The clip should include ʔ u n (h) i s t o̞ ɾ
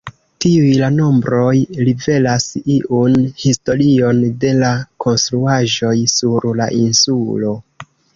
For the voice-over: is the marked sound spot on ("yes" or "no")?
yes